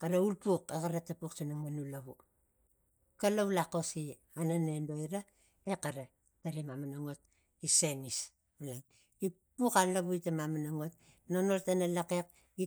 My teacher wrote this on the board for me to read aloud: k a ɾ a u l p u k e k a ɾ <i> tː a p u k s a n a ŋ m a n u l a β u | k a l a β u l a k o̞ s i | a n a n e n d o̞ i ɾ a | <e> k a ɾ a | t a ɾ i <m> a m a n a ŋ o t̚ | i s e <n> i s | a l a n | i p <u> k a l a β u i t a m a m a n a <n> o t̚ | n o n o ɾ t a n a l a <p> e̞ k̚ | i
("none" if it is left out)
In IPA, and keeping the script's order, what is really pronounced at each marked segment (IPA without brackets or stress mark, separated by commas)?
a, e, m, n, u, ŋ, k